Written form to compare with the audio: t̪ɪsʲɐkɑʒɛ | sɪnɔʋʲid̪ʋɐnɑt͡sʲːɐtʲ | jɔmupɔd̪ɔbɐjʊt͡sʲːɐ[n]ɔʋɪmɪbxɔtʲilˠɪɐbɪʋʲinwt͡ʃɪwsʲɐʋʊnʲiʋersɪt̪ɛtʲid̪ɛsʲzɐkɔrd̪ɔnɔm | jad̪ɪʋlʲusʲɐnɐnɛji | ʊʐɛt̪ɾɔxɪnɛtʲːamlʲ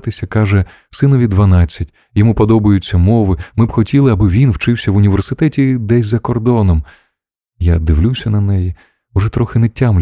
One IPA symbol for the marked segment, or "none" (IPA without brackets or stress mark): m